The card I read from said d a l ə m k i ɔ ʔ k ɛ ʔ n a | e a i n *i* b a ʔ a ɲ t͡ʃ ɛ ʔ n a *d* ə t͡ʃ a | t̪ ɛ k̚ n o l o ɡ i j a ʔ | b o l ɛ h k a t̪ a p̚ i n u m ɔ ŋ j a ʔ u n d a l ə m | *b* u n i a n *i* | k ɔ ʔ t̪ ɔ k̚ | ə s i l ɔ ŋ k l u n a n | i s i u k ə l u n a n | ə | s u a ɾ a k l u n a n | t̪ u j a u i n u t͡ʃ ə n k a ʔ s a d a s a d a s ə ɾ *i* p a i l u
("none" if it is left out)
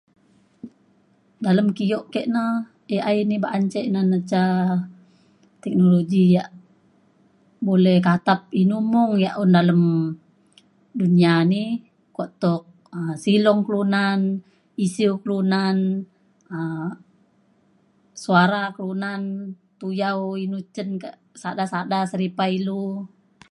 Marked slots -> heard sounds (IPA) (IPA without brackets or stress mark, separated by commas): i, n, d, i, i